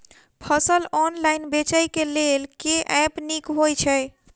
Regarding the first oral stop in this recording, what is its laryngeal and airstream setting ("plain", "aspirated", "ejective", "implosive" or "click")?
aspirated